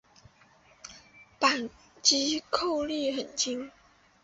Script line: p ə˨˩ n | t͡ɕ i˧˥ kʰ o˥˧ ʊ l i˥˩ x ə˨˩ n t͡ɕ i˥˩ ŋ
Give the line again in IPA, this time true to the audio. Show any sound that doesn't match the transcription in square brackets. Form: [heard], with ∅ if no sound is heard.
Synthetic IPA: p [a˨˩] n | t͡ɕ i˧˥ kʰ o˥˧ ʊ l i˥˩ x ə˨˩ n t͡ɕ [i˥] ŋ